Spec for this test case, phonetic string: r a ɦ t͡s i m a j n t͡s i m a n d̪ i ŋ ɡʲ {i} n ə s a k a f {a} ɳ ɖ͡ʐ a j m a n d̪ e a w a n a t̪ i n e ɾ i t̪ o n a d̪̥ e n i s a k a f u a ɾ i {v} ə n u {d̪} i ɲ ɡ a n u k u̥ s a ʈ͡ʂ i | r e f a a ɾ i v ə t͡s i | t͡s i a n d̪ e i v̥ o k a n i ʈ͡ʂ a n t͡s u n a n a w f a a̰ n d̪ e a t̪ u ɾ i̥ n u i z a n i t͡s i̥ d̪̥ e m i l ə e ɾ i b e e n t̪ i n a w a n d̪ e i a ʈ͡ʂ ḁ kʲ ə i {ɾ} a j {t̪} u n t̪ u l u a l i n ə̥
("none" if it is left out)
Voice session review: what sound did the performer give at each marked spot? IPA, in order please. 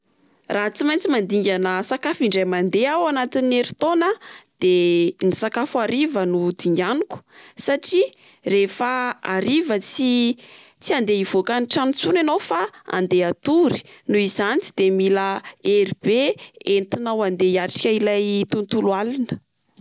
a, i, v, d̪, l, t̪

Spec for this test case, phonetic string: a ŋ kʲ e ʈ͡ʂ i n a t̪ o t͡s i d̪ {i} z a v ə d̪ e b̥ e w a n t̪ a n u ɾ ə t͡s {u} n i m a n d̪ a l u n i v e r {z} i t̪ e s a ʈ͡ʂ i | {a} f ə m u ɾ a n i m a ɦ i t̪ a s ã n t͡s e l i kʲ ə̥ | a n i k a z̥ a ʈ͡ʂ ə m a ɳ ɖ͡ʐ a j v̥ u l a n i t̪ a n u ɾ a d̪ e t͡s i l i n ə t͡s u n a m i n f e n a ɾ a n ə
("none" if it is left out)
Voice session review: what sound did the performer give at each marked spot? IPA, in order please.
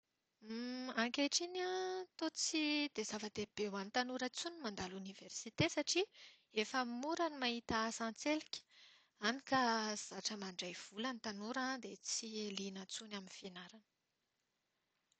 e, u, s, e

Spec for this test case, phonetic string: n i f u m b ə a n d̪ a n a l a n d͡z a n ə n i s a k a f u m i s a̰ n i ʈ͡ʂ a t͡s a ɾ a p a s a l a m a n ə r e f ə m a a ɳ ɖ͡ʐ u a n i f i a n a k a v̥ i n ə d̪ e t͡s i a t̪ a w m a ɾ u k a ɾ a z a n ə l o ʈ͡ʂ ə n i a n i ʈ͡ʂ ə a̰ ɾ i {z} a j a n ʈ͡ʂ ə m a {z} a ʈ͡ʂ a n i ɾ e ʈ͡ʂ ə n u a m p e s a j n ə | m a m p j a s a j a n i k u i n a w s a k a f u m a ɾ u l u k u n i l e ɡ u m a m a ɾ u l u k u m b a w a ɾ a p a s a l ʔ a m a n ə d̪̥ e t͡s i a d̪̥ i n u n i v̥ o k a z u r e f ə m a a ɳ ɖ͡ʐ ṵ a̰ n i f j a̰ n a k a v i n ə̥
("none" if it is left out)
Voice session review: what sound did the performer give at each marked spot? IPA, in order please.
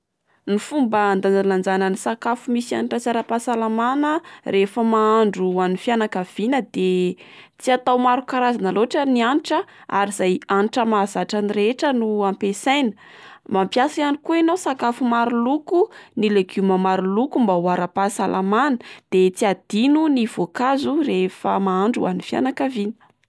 z, z

